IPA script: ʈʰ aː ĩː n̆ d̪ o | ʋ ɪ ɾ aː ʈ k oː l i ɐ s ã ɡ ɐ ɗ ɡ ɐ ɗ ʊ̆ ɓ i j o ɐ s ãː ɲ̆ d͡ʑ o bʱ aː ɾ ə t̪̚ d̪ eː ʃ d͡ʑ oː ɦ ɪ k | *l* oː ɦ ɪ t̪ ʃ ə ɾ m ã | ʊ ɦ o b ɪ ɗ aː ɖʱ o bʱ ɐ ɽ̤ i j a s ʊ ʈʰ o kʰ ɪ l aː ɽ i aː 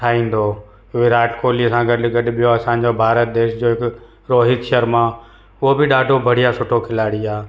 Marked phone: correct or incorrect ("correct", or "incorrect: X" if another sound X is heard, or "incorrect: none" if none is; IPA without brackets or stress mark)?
incorrect: ɾ